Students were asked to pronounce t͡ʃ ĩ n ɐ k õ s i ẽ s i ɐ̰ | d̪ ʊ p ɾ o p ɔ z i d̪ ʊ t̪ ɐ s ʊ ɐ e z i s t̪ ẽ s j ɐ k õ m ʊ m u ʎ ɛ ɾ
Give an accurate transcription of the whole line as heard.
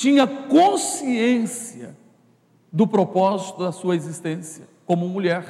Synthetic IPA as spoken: t͡ʃ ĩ ɲ ɐ k õ s i ẽ s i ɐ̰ | d̪ ʊ p ɾ o p ɔ z i t̪ ʊ d̪ ɐ s u ɐ e z i s t̪ ẽ s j ɐ k õ m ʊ m u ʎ ɛ ɾ